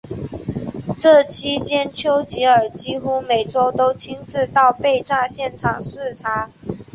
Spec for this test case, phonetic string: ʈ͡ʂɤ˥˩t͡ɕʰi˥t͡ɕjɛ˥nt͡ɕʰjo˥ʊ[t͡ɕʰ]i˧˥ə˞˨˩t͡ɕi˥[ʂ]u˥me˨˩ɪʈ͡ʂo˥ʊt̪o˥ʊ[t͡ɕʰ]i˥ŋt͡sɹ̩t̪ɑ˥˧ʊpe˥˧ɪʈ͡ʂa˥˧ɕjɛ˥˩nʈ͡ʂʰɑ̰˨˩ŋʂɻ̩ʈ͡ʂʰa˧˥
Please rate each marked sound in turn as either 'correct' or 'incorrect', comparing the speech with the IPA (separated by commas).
incorrect, incorrect, correct